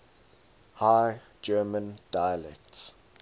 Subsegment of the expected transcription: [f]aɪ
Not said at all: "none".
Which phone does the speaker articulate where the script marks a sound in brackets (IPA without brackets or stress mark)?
h